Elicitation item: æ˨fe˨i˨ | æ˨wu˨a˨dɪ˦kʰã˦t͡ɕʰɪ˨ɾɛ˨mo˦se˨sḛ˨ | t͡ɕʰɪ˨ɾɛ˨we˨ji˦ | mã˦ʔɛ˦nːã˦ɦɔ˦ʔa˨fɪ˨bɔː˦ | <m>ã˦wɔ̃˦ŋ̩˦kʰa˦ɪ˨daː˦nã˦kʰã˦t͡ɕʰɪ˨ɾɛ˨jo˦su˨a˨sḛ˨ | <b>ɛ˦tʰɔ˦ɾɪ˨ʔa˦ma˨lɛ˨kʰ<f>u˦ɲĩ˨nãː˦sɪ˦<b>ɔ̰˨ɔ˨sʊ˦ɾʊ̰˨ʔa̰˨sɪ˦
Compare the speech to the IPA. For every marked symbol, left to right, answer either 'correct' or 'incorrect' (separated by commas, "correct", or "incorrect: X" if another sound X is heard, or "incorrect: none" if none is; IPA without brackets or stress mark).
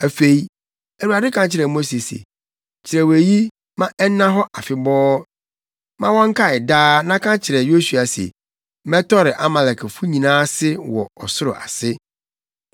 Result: correct, incorrect: m, correct, incorrect: w